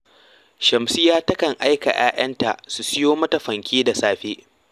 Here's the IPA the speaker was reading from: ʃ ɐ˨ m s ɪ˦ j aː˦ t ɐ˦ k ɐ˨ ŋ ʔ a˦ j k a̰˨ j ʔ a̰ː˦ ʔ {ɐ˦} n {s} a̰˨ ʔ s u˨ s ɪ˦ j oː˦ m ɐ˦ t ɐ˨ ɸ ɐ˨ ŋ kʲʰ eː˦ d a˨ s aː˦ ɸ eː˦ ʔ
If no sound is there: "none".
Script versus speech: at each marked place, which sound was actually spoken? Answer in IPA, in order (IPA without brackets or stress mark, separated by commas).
ɐ˦, t